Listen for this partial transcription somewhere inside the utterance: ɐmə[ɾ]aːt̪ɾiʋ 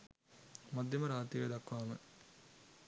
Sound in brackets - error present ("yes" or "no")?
no